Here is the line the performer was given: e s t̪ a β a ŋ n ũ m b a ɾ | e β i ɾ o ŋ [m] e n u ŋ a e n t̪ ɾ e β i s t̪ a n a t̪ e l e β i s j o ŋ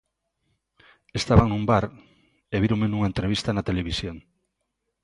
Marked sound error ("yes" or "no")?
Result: no